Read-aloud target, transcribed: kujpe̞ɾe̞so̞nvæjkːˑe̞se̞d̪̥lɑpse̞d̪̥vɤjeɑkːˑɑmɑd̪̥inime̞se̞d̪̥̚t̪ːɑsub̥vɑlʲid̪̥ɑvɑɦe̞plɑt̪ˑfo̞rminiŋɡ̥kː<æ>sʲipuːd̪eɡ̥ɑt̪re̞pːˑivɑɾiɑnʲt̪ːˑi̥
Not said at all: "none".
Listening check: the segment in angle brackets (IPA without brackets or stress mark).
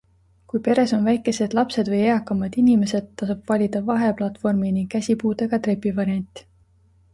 æ